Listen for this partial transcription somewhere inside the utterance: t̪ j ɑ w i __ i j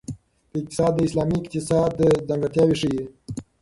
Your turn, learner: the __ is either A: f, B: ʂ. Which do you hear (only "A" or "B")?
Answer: B